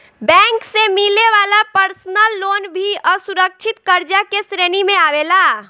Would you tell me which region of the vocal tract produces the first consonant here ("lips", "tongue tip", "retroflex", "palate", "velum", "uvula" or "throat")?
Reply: lips